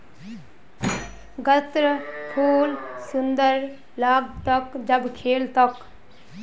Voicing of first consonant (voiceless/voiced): voiced